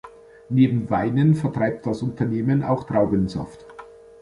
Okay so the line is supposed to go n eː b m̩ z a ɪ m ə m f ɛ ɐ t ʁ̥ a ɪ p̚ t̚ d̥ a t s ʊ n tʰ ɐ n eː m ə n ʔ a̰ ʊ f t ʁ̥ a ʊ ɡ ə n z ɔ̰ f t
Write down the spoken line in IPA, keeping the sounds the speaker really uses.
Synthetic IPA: n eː b m̩ v a ɪ n ə n f ɛ ɐ t ʁ̥ a ɪ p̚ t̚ d̥ a s ʊ n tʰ ɐ n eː m ə n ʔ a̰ ʊ x t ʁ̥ a ʊ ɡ ə n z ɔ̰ f t